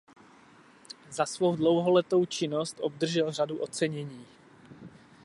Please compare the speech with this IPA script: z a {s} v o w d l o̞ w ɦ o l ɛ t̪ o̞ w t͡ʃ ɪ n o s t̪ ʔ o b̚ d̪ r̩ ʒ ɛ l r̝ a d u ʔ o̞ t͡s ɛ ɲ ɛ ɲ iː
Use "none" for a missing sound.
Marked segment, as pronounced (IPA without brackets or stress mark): s